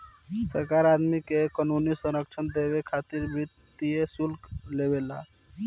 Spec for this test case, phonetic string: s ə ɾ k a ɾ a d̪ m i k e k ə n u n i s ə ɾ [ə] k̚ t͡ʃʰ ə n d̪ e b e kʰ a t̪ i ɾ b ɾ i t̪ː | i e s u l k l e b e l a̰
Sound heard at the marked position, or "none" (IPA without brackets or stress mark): ə